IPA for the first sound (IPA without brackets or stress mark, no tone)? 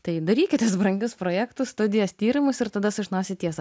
t̪